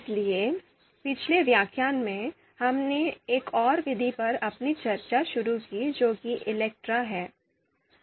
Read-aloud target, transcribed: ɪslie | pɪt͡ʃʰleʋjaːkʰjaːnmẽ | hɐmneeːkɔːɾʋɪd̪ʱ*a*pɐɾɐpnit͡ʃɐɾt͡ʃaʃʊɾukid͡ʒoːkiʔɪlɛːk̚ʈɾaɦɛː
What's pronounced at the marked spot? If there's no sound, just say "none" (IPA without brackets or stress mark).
i